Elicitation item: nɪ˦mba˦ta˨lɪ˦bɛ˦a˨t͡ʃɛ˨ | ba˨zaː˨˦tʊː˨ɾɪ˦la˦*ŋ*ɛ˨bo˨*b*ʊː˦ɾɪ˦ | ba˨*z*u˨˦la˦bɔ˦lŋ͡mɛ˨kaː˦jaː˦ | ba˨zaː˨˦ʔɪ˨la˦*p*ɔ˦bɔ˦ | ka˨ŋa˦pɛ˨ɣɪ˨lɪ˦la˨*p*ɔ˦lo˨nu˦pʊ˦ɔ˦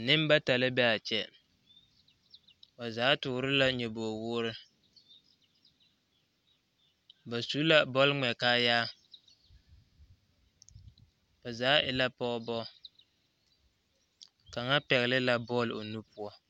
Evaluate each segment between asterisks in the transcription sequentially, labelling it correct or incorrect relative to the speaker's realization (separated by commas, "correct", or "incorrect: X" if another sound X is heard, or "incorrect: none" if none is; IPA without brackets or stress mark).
incorrect: ɲ, incorrect: w, incorrect: s, correct, incorrect: b